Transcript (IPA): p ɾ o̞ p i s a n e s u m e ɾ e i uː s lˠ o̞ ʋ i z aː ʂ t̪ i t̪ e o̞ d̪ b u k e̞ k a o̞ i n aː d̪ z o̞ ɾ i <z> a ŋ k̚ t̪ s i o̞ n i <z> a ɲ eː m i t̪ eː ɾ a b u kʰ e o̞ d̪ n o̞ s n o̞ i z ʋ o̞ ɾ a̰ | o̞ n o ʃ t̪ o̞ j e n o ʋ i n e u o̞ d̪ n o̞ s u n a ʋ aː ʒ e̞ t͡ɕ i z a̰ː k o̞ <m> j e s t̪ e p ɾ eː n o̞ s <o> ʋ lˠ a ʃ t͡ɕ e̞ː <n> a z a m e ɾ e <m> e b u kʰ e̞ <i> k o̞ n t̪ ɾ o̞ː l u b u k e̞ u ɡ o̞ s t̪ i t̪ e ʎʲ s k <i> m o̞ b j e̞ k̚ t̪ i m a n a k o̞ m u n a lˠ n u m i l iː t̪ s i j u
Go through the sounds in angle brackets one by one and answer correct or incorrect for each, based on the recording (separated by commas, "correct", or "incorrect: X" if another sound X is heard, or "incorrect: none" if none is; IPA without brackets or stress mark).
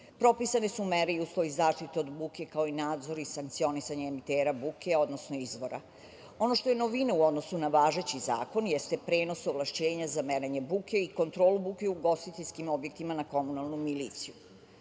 incorrect: s, incorrect: s, incorrect: n, correct, incorrect: ɲ, incorrect: ɲ, correct, correct